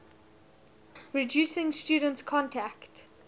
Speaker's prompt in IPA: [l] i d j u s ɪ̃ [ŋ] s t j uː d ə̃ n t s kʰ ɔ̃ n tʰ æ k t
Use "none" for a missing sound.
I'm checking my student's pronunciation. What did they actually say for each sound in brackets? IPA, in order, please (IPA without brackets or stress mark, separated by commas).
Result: ɹ, ŋ